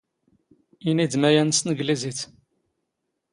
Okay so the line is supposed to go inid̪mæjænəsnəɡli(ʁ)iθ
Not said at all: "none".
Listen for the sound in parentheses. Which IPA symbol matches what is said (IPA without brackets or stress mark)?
z